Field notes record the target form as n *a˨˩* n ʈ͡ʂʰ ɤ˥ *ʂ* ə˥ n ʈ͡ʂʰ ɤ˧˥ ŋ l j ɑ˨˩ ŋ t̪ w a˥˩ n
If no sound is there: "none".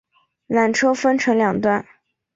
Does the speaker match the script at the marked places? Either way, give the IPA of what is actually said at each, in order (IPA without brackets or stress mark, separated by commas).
a˨˩, f